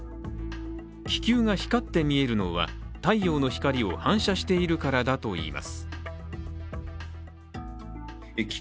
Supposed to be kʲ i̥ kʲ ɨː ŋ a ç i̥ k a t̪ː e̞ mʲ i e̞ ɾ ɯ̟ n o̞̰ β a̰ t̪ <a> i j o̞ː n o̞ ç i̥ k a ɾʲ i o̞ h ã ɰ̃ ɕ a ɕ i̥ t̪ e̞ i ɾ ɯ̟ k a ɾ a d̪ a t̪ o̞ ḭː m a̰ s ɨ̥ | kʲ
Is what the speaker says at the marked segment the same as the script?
yes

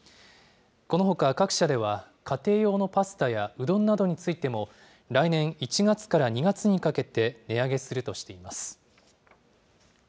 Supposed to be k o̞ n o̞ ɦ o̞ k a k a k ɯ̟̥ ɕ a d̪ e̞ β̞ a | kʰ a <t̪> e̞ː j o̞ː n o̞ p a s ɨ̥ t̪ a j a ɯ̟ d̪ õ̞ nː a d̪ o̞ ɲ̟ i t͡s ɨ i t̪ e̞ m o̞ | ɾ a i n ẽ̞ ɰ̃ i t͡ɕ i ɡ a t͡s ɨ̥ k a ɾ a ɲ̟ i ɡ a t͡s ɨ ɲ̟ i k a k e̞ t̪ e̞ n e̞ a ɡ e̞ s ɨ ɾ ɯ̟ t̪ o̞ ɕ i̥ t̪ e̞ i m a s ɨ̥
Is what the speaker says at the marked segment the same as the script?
yes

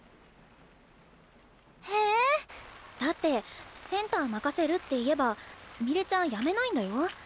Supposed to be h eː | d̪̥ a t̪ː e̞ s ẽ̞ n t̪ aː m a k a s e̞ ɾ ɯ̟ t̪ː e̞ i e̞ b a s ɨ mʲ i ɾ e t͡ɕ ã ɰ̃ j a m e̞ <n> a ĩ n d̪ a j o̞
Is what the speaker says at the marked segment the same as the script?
yes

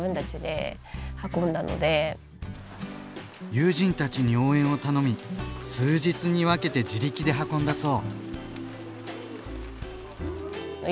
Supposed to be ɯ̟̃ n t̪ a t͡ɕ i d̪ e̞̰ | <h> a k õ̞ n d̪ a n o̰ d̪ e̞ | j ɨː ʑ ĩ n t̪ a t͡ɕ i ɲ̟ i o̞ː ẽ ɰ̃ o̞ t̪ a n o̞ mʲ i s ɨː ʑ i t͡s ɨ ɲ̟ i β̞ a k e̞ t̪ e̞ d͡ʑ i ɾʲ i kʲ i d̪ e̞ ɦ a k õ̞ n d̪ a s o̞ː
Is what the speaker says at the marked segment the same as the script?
yes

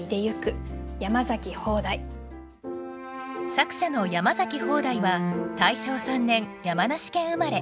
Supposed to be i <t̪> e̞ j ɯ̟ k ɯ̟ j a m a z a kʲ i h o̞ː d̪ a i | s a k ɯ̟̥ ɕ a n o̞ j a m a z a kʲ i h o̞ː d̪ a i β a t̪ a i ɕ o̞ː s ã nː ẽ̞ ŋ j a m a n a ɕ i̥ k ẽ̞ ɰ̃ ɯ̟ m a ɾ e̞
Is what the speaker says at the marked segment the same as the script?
no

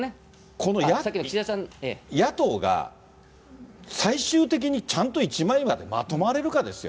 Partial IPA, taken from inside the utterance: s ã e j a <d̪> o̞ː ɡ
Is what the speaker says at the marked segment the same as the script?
no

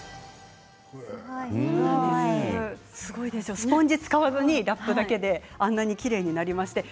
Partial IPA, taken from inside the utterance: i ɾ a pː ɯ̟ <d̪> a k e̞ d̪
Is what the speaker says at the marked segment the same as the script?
yes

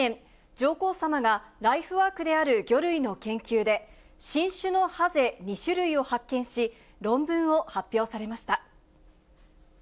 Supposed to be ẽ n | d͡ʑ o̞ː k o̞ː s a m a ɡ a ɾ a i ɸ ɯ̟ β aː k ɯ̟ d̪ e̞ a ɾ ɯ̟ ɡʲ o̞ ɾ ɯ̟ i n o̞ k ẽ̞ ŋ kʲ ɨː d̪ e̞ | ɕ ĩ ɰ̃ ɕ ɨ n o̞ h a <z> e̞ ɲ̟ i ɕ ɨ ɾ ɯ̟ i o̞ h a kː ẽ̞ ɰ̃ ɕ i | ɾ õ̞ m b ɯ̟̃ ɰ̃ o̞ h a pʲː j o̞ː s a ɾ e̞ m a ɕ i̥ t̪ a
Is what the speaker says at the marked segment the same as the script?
yes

